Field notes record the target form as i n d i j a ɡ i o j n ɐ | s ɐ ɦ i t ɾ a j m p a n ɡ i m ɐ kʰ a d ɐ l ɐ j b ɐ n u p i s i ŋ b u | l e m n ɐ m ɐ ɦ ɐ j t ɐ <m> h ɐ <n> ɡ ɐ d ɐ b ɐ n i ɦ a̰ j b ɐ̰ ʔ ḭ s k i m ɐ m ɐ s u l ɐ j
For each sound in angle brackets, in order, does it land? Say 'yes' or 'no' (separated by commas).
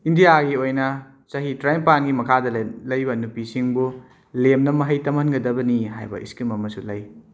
yes, yes